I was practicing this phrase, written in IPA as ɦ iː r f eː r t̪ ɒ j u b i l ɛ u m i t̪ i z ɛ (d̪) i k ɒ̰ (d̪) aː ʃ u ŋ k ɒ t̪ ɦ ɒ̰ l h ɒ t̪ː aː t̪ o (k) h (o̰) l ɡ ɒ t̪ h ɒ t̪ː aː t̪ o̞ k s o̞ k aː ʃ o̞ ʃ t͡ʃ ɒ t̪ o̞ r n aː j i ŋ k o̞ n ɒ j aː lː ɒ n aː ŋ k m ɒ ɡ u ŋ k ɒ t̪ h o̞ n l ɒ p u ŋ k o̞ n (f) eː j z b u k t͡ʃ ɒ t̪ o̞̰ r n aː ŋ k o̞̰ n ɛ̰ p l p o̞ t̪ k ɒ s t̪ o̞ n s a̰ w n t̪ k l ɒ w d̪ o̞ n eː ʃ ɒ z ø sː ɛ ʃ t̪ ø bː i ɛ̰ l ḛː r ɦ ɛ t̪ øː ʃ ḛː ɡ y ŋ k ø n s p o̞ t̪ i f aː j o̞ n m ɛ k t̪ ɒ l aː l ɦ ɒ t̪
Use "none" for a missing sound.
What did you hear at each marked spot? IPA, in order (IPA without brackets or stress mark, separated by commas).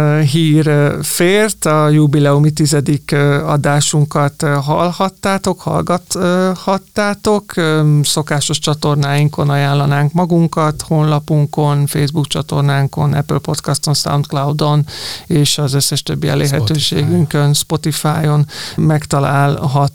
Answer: d̪, d̪, k, ɒ̰, f